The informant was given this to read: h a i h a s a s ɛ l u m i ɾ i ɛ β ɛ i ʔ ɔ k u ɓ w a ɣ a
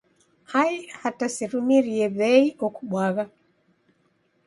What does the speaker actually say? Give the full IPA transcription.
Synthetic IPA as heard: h a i h a t a s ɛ ɾ u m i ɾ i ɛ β ɛ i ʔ ɔ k u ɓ w a ɣ a